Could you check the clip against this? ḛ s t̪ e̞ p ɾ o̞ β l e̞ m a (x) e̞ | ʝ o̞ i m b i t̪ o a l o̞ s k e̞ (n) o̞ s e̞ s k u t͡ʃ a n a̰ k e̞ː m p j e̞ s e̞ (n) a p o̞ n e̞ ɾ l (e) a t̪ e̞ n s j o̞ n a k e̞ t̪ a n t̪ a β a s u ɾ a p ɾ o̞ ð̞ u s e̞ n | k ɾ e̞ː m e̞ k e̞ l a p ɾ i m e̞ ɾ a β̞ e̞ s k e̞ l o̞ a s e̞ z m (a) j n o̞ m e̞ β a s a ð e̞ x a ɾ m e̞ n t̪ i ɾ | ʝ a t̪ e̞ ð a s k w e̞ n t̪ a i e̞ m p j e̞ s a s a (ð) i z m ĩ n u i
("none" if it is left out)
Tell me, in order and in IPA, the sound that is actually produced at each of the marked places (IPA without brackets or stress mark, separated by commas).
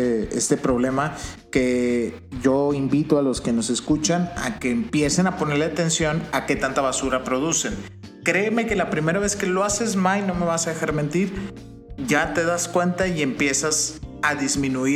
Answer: k, n, n, e, a, ð